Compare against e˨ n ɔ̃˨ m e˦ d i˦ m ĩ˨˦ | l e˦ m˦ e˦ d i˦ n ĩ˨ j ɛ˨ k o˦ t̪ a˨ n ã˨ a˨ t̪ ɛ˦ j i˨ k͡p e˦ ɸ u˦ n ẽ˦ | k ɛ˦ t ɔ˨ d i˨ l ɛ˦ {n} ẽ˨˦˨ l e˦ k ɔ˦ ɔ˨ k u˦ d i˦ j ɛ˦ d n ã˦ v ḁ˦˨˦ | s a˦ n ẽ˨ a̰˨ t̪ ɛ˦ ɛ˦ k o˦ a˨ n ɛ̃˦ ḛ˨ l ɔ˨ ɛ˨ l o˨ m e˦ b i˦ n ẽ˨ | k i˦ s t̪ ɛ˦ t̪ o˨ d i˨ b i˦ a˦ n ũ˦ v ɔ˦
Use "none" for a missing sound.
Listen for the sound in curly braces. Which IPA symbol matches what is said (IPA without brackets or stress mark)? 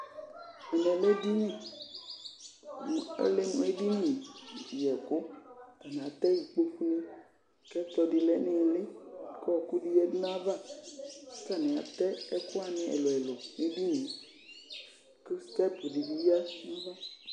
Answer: n